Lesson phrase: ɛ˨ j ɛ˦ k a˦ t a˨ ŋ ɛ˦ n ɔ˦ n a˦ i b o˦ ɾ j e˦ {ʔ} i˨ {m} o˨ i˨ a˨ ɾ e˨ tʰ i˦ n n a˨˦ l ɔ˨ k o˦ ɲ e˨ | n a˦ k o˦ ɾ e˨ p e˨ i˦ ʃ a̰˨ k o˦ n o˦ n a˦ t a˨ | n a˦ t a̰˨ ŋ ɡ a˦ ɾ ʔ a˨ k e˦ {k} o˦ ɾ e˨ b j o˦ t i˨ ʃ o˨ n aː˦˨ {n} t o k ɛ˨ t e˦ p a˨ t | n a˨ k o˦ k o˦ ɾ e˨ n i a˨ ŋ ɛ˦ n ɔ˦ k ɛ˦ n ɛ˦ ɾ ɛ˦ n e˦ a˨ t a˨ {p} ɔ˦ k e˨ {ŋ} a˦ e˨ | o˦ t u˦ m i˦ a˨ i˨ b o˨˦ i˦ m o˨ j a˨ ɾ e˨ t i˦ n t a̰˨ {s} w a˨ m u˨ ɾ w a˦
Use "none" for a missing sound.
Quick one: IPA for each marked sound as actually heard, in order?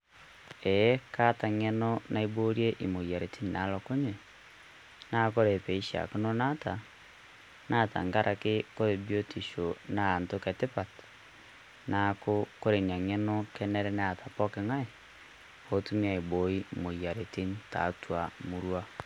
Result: ʔ, m, k, n, p, ŋ, t

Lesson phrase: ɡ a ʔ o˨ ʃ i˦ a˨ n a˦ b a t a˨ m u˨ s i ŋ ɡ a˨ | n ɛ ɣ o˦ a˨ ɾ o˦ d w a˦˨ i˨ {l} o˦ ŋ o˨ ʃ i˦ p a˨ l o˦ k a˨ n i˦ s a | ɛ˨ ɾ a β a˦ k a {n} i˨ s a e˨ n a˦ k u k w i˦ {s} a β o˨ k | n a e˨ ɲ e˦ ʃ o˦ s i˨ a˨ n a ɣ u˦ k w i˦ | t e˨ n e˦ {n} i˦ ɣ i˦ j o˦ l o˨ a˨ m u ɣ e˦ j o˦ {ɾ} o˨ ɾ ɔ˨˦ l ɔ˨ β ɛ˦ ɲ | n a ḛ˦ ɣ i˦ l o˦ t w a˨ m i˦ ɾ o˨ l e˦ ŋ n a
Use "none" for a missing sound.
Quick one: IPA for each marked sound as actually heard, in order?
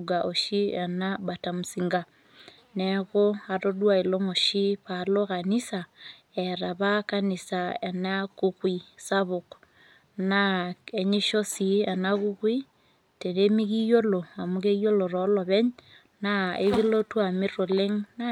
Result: l, n, s, m, l

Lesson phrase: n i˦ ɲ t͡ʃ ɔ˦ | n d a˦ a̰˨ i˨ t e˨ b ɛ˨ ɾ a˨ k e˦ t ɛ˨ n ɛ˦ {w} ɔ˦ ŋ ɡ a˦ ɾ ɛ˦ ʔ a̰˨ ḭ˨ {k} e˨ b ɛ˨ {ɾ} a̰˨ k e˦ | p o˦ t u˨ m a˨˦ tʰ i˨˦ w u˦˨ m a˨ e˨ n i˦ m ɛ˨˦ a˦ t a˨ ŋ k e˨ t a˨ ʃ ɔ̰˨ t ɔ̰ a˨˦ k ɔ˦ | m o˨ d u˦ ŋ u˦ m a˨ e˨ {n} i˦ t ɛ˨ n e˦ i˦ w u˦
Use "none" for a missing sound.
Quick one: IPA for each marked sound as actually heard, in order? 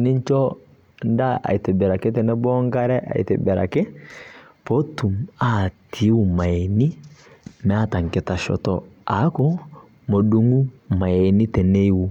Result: b, t, ɾ, n

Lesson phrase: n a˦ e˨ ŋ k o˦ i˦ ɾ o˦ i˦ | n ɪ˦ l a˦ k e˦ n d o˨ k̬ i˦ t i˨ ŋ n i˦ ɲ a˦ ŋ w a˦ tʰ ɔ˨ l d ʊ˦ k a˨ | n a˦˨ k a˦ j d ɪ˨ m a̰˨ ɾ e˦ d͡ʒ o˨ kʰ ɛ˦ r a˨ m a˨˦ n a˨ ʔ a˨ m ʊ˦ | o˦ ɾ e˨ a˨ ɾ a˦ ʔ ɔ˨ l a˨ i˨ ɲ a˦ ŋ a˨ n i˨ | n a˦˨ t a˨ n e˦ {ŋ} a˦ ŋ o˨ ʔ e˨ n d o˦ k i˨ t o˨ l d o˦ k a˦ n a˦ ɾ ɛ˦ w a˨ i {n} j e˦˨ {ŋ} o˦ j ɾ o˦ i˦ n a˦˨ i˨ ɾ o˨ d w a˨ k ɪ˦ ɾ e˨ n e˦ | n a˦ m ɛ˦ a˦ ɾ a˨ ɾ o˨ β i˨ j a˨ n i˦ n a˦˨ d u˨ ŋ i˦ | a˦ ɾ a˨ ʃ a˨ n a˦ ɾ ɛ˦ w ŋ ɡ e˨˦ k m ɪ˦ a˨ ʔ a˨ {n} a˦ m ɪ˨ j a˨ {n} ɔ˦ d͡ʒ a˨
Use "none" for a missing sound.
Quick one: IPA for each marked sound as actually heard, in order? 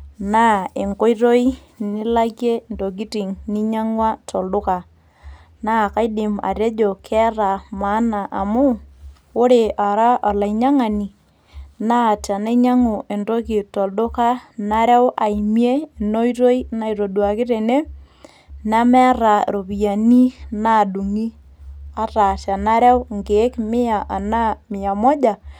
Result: ɲ, m, n, n, m

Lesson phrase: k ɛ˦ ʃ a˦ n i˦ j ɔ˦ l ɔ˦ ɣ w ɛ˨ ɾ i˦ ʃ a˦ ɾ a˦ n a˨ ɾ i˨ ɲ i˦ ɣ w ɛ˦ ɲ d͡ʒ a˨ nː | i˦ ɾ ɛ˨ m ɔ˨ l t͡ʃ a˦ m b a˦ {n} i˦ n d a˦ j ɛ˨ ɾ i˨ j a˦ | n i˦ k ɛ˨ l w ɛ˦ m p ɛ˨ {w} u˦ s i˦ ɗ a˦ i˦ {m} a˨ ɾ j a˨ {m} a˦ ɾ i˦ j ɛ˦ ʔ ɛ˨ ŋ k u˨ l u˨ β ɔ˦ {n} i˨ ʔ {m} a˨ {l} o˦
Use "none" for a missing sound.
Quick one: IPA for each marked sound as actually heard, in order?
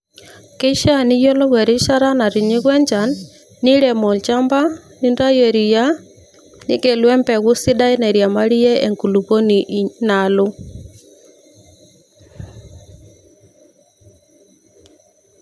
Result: n, ɣ, n, m, n, n, l

